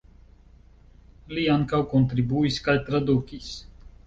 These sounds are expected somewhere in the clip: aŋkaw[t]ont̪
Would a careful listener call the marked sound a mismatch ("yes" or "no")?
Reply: yes